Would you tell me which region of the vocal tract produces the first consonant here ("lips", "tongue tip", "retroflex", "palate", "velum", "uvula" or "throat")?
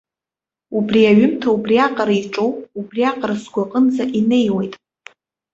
lips